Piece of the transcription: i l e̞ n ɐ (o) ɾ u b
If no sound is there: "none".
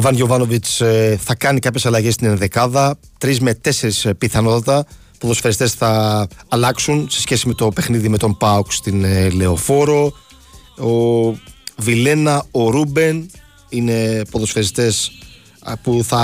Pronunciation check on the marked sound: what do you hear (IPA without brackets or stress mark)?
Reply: o